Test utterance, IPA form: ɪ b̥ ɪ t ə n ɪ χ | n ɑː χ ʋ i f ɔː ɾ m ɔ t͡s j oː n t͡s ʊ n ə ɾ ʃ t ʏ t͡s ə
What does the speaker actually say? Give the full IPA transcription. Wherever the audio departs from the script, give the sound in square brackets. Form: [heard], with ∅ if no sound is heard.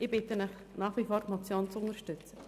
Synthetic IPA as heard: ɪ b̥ ɪ t ə n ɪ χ | n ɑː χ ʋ i f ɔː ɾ m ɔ t͡s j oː n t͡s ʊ n ə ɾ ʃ t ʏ t͡s ə